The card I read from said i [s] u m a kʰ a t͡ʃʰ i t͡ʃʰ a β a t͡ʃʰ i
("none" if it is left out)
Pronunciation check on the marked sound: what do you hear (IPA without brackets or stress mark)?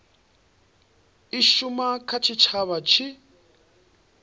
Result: ʃ